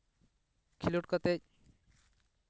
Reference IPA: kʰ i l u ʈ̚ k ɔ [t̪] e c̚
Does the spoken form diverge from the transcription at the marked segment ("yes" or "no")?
no